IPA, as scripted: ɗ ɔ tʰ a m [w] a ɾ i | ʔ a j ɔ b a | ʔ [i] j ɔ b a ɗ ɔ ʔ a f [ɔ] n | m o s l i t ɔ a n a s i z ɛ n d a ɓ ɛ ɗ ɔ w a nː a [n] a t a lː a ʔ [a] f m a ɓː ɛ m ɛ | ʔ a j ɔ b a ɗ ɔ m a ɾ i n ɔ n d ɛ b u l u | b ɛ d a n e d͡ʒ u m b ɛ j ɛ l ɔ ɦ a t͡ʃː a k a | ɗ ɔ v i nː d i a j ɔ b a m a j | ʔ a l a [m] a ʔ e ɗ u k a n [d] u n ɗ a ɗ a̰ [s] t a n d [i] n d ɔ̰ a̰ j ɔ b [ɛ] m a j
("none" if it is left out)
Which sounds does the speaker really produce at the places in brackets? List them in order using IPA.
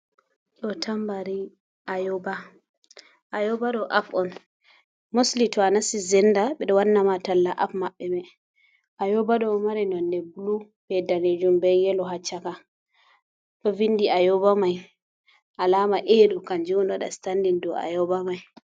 b, a, ɔ, m, a, m, d͡ʒ, s, i, a

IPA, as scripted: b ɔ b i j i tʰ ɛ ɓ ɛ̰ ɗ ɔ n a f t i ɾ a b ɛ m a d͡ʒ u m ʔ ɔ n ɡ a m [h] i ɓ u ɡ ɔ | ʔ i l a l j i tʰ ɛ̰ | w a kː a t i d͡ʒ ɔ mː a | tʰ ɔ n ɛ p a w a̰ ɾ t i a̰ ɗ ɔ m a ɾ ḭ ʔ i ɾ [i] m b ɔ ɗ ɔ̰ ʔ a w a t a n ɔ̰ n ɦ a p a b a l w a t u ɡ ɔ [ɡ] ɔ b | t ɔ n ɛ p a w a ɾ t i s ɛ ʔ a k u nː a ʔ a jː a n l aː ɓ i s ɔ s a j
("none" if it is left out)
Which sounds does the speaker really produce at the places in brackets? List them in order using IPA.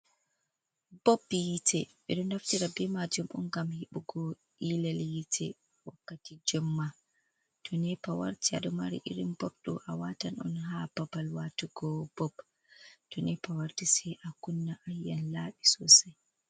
h, i, b

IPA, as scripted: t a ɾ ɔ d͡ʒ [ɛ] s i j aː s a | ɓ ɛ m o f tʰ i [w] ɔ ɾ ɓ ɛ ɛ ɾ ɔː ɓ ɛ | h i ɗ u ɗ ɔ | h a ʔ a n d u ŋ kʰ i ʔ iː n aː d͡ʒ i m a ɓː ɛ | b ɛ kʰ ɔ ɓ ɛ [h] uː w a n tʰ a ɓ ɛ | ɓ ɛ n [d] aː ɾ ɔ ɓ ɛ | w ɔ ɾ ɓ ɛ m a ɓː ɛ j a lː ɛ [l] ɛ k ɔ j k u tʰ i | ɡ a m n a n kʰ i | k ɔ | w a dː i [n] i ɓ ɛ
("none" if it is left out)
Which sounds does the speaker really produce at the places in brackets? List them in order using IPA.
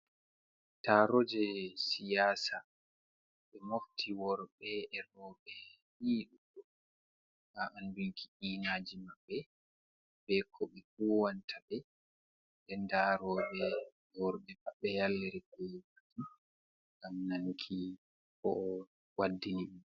ɛ, w, f, d, ɾ, n

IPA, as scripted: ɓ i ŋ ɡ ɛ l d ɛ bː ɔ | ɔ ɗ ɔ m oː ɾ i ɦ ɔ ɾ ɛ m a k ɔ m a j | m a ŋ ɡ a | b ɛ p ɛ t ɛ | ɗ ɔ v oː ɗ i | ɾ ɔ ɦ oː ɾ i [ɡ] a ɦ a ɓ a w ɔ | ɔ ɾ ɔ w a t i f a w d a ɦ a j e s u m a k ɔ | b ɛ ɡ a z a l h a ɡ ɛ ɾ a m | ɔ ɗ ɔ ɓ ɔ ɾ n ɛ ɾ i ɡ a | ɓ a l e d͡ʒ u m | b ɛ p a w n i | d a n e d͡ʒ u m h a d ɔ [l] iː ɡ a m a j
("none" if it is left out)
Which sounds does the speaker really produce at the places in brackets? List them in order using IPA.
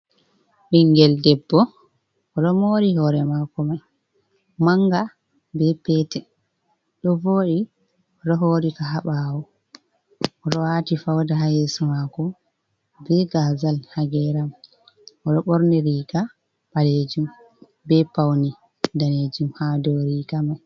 k, ɾ

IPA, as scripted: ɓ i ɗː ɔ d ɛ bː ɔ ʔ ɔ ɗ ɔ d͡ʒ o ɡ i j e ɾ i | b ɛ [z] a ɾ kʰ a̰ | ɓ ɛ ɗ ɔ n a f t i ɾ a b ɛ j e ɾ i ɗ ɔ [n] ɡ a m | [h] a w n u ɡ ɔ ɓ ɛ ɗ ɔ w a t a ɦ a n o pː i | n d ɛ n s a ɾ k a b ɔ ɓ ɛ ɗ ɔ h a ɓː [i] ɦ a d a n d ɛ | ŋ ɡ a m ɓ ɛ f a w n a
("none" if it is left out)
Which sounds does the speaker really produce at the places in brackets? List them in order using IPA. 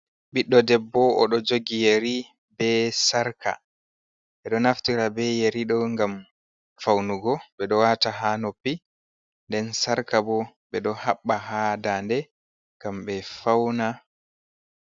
s, ŋ, f, a

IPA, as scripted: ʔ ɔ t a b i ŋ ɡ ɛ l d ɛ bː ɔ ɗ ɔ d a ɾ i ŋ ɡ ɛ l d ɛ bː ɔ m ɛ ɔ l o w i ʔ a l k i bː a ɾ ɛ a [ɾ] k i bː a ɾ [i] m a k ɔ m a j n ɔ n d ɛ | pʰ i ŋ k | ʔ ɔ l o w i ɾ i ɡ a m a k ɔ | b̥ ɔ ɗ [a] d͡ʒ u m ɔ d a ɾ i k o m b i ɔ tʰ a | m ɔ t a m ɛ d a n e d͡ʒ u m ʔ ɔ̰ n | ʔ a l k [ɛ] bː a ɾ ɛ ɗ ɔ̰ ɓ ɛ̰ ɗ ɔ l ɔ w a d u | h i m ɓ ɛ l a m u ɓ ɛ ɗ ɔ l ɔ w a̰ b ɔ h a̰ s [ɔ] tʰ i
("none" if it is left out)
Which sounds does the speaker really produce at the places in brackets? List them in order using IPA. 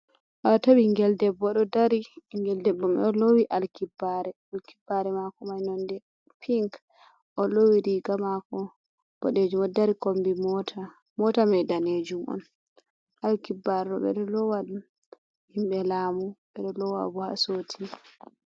l, ɛ, e, i, o

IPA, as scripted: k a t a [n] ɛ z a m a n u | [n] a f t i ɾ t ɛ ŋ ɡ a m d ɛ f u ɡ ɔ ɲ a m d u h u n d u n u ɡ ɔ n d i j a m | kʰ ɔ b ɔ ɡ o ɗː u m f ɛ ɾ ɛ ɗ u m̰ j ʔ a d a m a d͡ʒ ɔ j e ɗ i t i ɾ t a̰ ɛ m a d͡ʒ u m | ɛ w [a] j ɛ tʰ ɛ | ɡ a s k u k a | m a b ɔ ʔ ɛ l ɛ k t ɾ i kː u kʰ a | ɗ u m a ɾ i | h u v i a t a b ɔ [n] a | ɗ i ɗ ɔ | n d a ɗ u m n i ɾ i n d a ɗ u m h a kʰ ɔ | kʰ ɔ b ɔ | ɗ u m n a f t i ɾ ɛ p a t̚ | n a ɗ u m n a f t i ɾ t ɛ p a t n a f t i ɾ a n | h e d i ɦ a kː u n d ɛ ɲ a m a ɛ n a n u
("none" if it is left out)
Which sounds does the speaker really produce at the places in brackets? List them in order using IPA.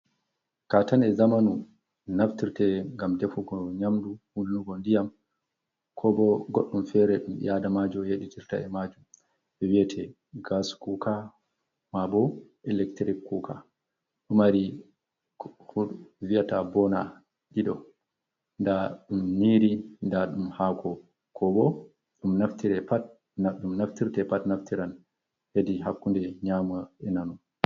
n, n, i, n

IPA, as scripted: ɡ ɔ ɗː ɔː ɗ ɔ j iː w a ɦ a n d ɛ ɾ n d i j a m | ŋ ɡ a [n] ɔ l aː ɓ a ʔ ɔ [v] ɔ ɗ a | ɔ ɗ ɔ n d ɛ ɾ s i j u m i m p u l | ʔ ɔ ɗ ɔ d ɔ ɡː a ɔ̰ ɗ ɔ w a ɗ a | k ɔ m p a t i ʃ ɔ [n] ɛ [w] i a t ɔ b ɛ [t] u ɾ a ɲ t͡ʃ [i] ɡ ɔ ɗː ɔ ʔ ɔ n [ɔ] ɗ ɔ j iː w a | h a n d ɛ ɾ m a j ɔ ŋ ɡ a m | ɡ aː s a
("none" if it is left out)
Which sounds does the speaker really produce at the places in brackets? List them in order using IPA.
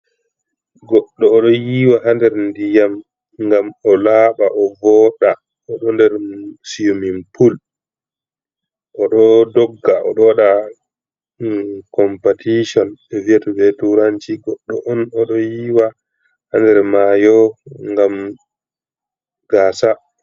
m, v, n, v, t, i, ɔ

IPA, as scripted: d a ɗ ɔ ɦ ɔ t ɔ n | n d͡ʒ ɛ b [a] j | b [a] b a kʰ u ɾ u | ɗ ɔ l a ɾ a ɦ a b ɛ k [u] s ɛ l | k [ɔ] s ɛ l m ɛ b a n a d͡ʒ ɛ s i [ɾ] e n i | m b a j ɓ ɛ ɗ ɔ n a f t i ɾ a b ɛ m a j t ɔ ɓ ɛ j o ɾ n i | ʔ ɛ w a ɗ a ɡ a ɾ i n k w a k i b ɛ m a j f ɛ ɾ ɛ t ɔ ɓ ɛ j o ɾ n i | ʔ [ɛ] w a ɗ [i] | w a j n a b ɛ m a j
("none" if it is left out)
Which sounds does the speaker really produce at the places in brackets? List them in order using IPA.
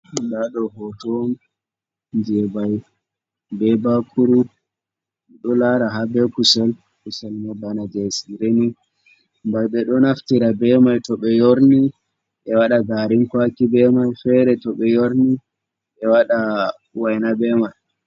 a, ɛ, u, u, ɾ, ɛ, a

